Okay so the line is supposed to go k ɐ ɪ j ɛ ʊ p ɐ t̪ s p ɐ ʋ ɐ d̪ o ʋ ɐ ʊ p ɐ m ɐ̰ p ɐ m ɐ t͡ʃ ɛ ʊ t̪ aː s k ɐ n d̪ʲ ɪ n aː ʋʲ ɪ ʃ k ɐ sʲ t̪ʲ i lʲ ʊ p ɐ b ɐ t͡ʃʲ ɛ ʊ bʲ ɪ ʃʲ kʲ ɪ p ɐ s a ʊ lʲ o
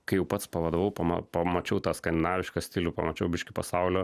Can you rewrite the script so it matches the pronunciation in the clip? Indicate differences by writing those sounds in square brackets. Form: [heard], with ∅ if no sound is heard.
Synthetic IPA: k ɐ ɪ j ɛ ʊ p ɐ t̪ s p ɐ ʋ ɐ d̪ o ʋ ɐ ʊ p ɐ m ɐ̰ p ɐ m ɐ t͡ʃ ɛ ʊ t̪ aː s k ɐ n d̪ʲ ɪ n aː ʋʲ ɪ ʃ k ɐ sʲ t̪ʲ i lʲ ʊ p ɐ [m] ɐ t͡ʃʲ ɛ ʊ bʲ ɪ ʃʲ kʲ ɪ p ɐ s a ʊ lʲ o